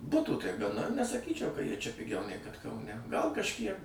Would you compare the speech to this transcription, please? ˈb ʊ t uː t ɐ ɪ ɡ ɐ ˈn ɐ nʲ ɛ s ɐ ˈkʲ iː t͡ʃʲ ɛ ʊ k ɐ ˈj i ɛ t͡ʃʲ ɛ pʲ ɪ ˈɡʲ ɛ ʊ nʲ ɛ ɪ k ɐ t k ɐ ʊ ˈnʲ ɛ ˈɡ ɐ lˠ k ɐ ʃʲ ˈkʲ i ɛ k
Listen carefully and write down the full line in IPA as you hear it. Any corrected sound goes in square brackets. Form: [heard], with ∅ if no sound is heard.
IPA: ˈb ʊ t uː t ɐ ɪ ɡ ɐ ˈn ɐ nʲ ɛ s ɐ ˈkʲ iː t͡ʃʲ ɛ ʊ k ɐ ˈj i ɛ t͡ʃʲ ɛ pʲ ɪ ˈɡʲ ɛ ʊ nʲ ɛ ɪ k ɐ t k ɐ ʊ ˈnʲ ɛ ˈɡ ɐ lˠ k ɐ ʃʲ ˈkʲ i ɛ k

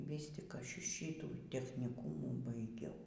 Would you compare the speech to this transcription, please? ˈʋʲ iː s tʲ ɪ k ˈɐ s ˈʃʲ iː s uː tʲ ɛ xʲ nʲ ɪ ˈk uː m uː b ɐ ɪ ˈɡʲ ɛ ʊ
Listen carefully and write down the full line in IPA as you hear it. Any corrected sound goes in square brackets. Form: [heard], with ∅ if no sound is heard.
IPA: ˈʋʲ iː s tʲ ɪ k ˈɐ [ʃ] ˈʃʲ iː [t] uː tʲ ɛ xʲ nʲ ɪ ˈk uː m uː b ɐ ɪ ˈɡʲ ɛ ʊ

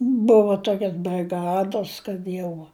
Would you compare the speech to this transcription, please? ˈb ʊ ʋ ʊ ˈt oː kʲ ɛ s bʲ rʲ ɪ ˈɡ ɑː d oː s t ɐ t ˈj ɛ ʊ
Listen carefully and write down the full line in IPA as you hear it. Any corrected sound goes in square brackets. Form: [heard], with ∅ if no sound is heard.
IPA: ˈb ʊ ʋ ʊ ˈt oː kʲ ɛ s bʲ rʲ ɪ ˈɡ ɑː d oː s [k] ɐ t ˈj ɛ ʊ

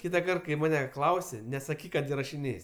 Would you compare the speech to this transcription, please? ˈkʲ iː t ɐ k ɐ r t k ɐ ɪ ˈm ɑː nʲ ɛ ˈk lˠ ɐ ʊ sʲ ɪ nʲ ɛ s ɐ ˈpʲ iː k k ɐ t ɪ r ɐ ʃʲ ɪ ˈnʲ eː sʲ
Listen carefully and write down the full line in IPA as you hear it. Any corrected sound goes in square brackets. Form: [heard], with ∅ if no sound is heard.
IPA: ˈkʲ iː t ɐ k ɐ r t k ɐ ɪ ˈm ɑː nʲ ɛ ˈk lˠ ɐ ʊ sʲ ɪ nʲ ɛ s ɐ [ˈkʲ] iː k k ɐ t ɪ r ɐ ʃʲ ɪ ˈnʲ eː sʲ

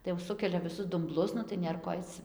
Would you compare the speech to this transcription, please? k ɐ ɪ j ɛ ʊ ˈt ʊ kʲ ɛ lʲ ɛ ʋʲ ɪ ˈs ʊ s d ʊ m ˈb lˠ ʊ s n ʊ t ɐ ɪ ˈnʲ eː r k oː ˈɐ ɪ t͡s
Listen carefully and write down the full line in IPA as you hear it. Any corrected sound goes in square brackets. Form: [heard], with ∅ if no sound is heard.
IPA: [t] ɐ ɪ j ɛ ʊ [ˈs] ʊ kʲ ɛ lʲ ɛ ʋʲ ɪ ˈs ʊ s d ʊ m ˈb lˠ ʊ s n ʊ t ɐ ɪ ˈnʲ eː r k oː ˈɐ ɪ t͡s

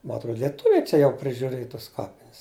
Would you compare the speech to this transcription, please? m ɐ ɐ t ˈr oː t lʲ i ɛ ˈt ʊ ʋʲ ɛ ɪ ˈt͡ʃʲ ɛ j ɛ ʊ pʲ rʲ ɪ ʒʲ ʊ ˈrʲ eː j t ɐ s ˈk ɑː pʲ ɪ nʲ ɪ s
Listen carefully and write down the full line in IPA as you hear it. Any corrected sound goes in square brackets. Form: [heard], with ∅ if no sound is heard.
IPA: m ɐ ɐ t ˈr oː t lʲ i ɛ ˈt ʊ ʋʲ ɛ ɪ ˈt͡ʃʲ ɛ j ɛ ʊ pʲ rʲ ɪ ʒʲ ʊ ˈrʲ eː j t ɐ s ˈk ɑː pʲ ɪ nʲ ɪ s

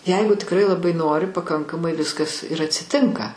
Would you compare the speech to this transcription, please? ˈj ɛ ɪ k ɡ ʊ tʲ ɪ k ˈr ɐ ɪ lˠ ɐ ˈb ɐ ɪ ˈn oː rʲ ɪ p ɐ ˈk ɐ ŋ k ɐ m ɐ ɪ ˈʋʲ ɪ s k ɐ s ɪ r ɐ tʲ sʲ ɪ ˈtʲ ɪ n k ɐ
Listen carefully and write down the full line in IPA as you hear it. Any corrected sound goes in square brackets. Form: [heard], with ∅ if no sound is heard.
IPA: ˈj ɛ ɪ [∅] ɡ ʊ tʲ ɪ k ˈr ɐ ɪ lˠ ɐ ˈb ɐ ɪ ˈn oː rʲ ɪ p ɐ ˈk ɐ ŋ k ɐ m ɐ ɪ ˈʋʲ ɪ s k ɐ s ɪ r ɐ tʲ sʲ ɪ ˈtʲ ɪ [ŋ] k ɐ

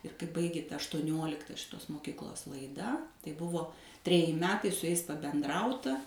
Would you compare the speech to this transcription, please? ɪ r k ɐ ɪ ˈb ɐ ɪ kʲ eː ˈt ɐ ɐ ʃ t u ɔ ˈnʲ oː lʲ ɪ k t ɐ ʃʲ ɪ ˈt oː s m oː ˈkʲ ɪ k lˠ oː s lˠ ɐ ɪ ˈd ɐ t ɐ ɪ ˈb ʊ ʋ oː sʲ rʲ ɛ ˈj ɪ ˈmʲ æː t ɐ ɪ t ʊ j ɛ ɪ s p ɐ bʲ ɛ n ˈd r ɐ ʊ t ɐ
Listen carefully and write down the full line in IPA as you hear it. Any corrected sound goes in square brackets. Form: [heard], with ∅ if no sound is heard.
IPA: ɪ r k ɐ ɪ ˈb ɐ ɪ [ɡʲ] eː ˈt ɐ ɐ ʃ t u ɔ ˈnʲ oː lʲ ɪ k t ɐ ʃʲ ɪ ˈt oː s m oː ˈkʲ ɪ k lˠ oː s lˠ ɐ ɪ ˈd ɐ t ɐ ɪ ˈb ʊ ʋ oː [tʲ] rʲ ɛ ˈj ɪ ˈmʲ æː t ɐ ɪ [s] ʊ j ɛ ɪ s p ɐ bʲ ɛ n ˈd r ɐ ʊ t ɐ

